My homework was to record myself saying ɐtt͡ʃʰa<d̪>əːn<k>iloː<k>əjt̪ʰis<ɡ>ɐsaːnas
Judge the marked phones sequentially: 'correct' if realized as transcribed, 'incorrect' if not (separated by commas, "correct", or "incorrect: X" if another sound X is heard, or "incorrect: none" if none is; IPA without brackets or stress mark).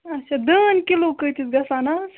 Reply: correct, correct, correct, correct